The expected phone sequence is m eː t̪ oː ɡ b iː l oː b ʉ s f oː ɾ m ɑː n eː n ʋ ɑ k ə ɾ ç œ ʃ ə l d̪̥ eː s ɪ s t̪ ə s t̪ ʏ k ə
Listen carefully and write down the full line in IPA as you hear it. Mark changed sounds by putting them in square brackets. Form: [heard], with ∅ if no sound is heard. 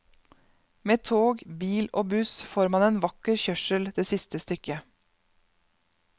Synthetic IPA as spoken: m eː [t̪ʰ] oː ɡ b iː l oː b ʉ s f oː ɾ m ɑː n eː n ʋ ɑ k ə ɾ ç œ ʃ ə l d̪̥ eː s ɪ s t̪ ə s t̪ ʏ k ə